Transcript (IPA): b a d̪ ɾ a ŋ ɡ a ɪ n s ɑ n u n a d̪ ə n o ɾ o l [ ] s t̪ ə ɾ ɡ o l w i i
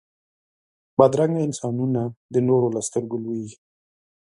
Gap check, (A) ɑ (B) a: B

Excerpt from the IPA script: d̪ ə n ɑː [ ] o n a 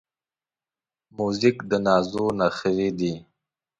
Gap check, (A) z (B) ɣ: A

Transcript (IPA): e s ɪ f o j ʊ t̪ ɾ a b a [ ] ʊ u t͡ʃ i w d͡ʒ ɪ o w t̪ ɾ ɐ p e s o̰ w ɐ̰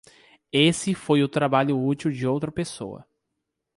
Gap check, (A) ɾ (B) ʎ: B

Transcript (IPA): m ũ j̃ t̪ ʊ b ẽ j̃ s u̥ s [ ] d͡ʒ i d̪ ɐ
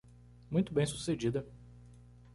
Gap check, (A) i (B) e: B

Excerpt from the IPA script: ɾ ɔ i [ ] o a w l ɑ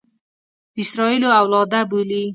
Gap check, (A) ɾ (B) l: B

